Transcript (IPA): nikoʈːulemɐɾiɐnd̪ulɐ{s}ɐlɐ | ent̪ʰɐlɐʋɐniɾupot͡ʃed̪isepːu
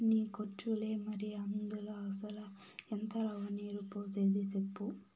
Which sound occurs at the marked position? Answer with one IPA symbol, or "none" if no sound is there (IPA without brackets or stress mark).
s